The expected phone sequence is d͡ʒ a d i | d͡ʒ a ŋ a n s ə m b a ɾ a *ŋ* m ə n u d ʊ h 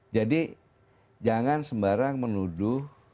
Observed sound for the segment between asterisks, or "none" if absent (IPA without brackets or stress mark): ŋ